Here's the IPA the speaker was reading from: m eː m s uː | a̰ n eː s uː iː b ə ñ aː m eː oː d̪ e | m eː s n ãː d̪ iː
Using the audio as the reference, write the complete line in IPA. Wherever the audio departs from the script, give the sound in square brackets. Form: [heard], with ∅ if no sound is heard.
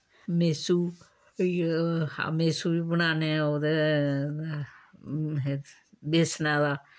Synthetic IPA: m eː [∅] s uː | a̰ [m] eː s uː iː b ə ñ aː [n] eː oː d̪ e | [b] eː s n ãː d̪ [aː]

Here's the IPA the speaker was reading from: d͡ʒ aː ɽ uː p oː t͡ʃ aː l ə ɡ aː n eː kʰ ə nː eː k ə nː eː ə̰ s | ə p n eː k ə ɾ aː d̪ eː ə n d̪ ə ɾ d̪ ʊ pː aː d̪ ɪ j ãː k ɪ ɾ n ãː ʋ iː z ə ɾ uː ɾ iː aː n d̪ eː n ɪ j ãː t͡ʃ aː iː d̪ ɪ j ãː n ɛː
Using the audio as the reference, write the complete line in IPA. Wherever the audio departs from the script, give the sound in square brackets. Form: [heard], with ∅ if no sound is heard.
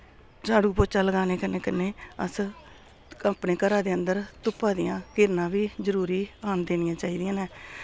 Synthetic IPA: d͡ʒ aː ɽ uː p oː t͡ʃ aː l ə ɡ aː n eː [k] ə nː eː k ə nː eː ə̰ s | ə p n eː k ə ɾ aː d̪ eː ə n d̪ ə ɾ [t̪] ʊ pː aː d̪ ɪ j ãː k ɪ ɾ n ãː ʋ iː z ə ɾ uː ɾ iː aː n d̪ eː n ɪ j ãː t͡ʃ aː iː d̪ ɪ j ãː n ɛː

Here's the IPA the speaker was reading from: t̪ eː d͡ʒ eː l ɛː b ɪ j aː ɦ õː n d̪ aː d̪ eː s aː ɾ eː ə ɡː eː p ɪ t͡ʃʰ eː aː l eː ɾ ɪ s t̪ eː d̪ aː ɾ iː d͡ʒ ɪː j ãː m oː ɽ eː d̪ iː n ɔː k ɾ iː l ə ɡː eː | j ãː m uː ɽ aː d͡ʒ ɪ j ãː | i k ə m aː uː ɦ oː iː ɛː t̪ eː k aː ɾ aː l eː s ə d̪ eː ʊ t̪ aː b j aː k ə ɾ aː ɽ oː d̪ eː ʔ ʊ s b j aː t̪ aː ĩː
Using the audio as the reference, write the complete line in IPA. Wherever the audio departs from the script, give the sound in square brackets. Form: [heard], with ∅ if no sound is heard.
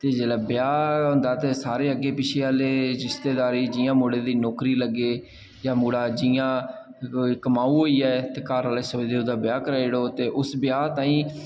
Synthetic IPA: t̪ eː d͡ʒ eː l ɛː b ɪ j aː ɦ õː n d̪ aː [t̪] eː s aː ɾ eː ə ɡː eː p ɪ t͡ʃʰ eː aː l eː ɾ ɪ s t̪ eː d̪ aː ɾ iː d͡ʒ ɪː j ãː m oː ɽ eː d̪ iː n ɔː k ɾ iː l ə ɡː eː | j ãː m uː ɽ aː d͡ʒ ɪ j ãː | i k ə m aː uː ɦ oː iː ɛː t̪ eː k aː ɾ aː l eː s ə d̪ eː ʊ [d̪] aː b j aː k ə ɾ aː ɽ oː [t̪] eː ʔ ʊ s b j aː t̪ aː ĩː

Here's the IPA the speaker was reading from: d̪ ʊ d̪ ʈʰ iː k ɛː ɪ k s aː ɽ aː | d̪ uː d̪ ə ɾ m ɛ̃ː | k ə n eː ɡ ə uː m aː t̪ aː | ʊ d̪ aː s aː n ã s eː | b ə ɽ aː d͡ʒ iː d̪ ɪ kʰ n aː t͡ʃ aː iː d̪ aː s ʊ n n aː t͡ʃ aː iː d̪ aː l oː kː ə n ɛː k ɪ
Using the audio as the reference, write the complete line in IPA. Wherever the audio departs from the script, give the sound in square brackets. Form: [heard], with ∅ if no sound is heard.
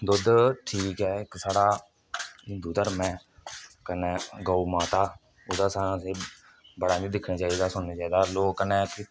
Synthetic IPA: d̪ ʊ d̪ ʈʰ iː k ɛː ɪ k s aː ɽ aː | d̪ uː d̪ ə ɾ m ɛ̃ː | k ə n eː ɡ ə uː m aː t̪ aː | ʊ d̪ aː s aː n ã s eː | b ə ɽ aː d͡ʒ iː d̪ ɪ kʰ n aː t͡ʃ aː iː d̪ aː s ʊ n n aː t͡ʃ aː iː d̪ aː l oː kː ə n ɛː k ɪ

